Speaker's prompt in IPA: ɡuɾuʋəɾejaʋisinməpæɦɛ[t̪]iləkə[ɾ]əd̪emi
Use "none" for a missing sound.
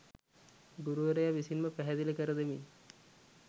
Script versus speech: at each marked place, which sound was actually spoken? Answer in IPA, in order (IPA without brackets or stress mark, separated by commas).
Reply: d̪, ɾ